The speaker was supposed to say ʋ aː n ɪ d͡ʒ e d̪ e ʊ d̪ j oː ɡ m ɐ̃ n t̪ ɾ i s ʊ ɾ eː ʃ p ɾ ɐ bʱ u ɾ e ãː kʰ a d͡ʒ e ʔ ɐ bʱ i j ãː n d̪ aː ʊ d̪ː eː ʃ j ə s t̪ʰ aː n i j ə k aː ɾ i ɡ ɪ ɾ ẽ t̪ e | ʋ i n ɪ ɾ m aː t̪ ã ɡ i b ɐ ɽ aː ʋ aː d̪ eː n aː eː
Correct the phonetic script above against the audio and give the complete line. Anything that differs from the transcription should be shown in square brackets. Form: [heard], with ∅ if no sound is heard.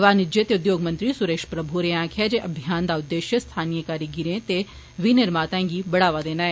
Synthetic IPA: ʋ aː n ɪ d͡ʒ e [t̪] e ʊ d̪ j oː ɡ m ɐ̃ n t̪ ɾ i s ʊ ɾ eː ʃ p ɾ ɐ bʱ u ɾ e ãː kʰ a d͡ʒ e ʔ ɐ bʱ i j [aː] n d̪ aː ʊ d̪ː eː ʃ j ə s t̪ʰ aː n i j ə k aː ɾ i ɡ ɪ ɾ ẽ t̪ e | ʋ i n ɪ ɾ m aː t̪ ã ɡ i b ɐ ɽ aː ʋ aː d̪ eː n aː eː